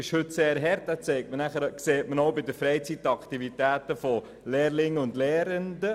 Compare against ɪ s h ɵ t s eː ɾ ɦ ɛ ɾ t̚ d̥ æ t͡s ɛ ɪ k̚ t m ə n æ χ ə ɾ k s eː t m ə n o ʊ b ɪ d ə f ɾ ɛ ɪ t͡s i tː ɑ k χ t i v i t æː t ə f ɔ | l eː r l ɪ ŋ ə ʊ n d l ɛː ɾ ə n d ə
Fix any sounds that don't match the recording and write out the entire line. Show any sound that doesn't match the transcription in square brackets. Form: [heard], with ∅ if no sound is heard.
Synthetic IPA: ɪ [ʃ] h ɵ t s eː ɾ ɦ ɛ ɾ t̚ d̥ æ t͡s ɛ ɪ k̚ t m ə n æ χ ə ɾ k s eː t m ə n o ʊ b ɪ d ə f ɾ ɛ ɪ t͡s i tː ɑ k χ t i v i t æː t ə f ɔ | l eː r l ɪ ŋ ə ʊ n d l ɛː ɾ ə n d ə